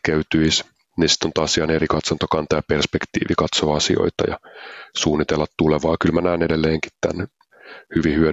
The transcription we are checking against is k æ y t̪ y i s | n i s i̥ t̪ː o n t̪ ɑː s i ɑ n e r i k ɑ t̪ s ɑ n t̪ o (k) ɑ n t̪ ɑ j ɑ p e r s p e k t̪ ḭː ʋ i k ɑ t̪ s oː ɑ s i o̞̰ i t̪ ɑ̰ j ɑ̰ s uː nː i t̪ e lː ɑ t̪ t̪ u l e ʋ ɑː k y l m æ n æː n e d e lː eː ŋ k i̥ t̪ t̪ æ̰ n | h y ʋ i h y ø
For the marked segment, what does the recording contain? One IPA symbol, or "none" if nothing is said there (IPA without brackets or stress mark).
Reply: k